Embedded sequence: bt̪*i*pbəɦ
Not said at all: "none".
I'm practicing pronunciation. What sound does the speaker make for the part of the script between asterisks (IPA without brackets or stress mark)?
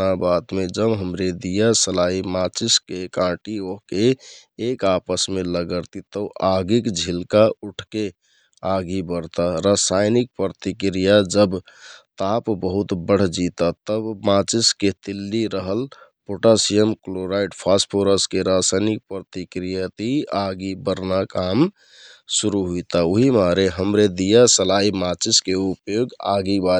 a